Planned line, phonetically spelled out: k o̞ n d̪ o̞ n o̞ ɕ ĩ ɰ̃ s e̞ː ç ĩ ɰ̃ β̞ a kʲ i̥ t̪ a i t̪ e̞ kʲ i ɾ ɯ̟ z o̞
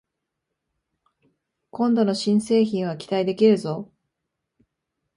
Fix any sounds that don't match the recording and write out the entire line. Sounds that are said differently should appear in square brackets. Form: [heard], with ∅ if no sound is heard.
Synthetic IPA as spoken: k [õ̞] n d̪ o̞ n o̞ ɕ ĩ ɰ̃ s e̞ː ç ĩ ɰ̃ β̞ a kʲ i̥ t̪ a i [d̪] e̞ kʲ i ɾ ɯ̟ z o̞